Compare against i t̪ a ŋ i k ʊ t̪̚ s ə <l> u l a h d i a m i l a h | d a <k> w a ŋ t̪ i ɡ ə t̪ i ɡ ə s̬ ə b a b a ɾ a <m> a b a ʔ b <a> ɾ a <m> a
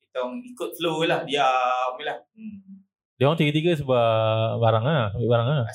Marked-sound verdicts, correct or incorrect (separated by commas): correct, incorrect, incorrect, correct, incorrect